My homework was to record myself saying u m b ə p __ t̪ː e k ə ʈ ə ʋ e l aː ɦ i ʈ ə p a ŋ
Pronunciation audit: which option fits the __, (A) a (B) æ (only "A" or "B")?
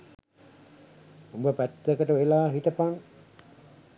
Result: B